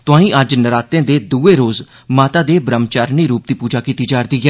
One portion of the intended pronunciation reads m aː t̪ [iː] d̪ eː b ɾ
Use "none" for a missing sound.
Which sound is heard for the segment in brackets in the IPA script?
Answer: aː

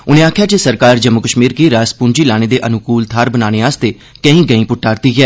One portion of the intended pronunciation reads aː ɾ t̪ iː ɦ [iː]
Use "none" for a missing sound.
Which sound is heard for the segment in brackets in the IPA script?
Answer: ɛː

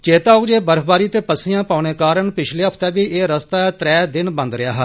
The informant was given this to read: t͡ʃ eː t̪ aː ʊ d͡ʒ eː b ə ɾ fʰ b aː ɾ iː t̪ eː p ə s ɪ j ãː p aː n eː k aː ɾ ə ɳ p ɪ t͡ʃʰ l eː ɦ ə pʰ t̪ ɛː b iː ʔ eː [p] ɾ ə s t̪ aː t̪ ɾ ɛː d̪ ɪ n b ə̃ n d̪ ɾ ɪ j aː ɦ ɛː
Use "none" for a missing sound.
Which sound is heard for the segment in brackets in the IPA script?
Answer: none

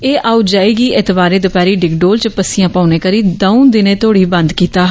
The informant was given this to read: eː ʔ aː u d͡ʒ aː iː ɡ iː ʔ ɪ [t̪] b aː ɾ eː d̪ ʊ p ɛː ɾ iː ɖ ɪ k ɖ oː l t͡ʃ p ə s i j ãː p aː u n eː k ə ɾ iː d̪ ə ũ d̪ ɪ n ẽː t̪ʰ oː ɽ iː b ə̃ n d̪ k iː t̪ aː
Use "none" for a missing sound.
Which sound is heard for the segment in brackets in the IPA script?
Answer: t̪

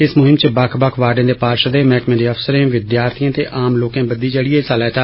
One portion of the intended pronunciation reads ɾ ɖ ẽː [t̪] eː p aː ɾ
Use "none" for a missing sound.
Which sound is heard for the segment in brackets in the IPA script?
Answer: d̪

